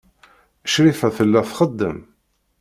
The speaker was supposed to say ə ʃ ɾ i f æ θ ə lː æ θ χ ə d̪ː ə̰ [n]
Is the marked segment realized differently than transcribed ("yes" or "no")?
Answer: yes